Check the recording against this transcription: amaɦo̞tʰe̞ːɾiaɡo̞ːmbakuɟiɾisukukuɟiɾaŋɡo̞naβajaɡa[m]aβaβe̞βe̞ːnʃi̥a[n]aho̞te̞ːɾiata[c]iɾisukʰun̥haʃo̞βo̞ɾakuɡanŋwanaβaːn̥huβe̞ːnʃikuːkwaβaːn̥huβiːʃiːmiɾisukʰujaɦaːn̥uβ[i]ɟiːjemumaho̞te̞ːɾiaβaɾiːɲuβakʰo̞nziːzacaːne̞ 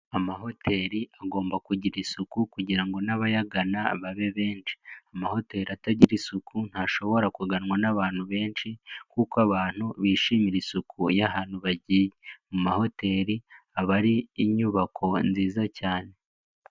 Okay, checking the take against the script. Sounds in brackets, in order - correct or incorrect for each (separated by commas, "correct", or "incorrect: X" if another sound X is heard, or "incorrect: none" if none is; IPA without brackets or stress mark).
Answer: incorrect: n, incorrect: m, incorrect: ɟ, incorrect: a